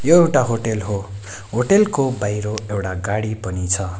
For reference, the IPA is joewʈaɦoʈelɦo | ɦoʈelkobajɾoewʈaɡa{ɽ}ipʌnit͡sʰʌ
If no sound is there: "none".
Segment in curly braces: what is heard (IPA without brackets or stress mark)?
ɽ